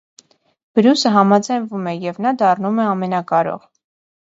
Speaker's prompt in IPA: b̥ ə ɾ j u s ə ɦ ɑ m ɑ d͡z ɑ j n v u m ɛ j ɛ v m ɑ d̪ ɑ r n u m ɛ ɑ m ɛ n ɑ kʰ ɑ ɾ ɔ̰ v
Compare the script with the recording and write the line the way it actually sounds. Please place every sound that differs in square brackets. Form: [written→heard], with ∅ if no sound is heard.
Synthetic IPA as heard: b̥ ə ɾ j u s ə ɦ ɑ m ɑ d͡z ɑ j n v u m ɛ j ɛ v [m→n] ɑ d̪ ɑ r n u m ɛ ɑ m ɛ n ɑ [kʰ→k] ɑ ɾ ɔ̰ [v→ʁ]

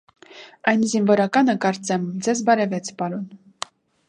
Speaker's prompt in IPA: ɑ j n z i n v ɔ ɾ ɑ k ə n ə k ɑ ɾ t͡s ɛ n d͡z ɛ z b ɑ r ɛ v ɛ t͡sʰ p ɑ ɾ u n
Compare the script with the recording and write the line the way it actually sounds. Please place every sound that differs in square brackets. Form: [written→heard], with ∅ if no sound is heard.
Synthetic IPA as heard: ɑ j n z i n v ɔ ɾ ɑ k [ə→ɑ] n ə k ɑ ɾ t͡s ɛ [n→m] d͡z ɛ z b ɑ [r→ɾ] ɛ v ɛ t͡sʰ p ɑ ɾ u n

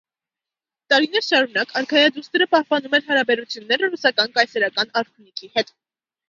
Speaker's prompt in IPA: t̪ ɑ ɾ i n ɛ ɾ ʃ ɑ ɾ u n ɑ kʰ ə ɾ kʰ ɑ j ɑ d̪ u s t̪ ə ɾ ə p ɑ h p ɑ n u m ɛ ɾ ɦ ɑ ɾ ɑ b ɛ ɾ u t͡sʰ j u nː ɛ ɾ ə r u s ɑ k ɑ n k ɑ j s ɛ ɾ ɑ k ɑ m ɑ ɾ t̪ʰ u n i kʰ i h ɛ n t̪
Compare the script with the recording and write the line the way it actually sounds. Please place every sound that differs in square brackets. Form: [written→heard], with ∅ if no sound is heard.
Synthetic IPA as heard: t̪ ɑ ɾ i n ɛ ɾ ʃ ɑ ɾ u n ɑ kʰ [ə→ɑ] ɾ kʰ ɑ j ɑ d̪ u s t̪ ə ɾ ə p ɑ h p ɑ n u m ɛ ɾ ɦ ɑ ɾ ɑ b ɛ ɾ u t͡sʰ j u nː ɛ ɾ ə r u s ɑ k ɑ n k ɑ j s ɛ ɾ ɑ k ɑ [m→n] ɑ ɾ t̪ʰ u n i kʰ i h ɛ [n→∅] t̪

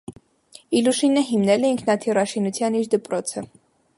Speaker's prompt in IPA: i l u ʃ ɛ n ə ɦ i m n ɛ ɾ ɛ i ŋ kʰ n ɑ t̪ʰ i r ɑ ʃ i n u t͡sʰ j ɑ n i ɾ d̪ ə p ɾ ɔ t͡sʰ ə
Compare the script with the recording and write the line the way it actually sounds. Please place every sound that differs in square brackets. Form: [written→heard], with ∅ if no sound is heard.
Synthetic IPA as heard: i l u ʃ [ɛ→i] n ə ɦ i m n ɛ [ɾ→l] ɛ i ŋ kʰ n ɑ t̪ʰ i r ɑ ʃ i n u t͡sʰ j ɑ n i ɾ d̪ ə p ɾ ɔ t͡sʰ ə

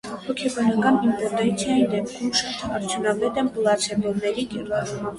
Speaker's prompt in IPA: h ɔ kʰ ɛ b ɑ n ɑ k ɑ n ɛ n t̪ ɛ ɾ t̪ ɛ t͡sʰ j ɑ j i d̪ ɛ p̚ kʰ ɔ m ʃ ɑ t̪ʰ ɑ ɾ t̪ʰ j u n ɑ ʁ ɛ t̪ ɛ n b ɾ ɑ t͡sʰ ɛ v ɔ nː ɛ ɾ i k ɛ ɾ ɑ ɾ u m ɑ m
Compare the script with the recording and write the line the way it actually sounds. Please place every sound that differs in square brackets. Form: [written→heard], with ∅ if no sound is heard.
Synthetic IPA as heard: h ɔ kʰ ɛ b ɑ n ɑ k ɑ n [ɛ→i] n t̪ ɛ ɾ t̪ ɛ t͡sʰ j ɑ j i d̪ ɛ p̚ kʰ [ɔ→u] m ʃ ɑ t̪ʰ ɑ ɾ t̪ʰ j u n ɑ [ʁ→v] ɛ t̪ ɛ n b [ɾ→l] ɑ t͡sʰ ɛ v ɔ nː ɛ ɾ i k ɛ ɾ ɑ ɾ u m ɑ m

